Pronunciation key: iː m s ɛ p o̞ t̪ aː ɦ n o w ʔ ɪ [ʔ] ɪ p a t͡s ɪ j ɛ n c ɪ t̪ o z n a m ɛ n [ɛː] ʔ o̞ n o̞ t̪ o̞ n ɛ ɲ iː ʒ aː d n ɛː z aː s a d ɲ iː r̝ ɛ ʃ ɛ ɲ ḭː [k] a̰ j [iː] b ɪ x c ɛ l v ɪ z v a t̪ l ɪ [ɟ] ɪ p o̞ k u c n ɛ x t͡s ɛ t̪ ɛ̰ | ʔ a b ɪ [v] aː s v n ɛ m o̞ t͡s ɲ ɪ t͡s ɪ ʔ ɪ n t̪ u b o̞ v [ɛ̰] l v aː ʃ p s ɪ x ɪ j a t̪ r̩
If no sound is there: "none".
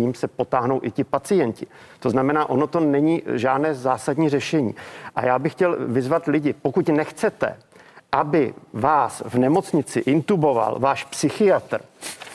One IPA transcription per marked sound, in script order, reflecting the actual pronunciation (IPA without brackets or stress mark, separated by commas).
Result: c, aː, ʔ, aː, ɟ, v, a̰